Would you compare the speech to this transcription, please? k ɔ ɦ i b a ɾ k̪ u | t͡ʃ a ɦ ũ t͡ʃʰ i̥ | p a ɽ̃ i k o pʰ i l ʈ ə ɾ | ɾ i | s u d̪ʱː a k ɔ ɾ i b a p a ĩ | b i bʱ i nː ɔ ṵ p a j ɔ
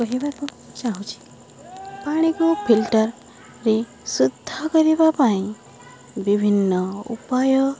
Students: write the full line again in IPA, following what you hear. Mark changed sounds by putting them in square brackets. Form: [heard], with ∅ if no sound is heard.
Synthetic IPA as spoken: k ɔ ɦ i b a ɾ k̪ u | t͡ʃ a ɦ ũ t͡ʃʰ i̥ | p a ɽ̃ i k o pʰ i l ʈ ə ɾ | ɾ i | s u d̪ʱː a k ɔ ɾ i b a p a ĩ | b i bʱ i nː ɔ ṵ p a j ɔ